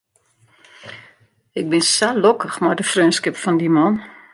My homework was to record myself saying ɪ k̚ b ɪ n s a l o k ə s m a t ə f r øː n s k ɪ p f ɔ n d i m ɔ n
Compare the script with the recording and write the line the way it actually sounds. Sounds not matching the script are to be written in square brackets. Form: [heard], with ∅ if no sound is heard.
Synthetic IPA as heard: ɪ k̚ b ɪ n s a l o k ə [x] m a [d] ə f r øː n s k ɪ p f ɔ n d i m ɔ n